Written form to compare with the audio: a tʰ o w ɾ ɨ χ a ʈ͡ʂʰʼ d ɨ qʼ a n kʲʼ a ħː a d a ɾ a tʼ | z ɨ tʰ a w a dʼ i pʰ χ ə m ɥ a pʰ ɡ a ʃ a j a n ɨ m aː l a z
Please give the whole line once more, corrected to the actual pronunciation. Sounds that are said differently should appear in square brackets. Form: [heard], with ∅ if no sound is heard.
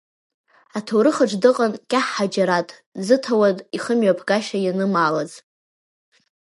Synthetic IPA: a tʰ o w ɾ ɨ χ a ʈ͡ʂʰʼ d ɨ qʼ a n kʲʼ a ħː a [d͡ʒ] a ɾ a tʼ | z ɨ tʰ a w a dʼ i [∅] χ ə m ɥ a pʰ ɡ a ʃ a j a n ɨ m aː l a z